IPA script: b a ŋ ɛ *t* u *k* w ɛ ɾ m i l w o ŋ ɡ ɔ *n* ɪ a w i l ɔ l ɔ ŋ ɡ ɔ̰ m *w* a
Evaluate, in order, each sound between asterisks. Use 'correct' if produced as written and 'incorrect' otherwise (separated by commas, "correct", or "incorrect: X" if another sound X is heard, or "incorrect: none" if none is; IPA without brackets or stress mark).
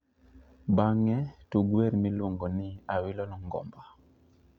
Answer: correct, incorrect: ɡ, correct, incorrect: b